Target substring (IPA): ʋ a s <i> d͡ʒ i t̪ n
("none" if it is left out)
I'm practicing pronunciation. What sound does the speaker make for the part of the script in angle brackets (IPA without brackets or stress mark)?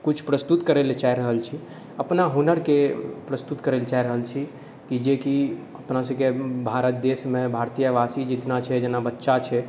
i